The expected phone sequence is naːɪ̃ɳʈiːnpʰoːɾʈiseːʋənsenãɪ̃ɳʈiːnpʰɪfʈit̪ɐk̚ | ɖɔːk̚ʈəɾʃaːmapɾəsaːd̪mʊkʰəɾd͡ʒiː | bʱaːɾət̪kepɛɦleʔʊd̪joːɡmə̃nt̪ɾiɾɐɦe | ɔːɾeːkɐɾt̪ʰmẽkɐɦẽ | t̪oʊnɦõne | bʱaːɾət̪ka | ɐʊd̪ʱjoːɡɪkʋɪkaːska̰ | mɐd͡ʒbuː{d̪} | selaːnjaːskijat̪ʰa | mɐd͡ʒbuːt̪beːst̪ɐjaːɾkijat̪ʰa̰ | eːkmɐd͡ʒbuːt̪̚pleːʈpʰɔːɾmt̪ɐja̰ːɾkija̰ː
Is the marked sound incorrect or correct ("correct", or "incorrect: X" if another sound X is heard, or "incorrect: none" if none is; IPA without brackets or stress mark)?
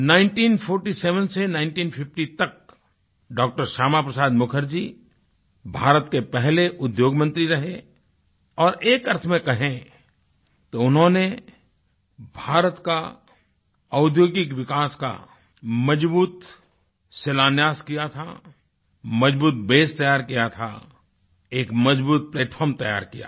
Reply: incorrect: t̪